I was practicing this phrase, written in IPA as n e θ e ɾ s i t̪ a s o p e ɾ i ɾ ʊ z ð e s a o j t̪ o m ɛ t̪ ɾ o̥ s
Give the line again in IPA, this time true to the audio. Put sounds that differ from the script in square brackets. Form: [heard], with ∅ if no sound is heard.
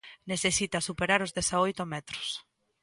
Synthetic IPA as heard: n e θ e [∅] s i t̪ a s [u] p e ɾ [a] ɾ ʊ z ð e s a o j t̪ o m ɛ t̪ ɾ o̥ s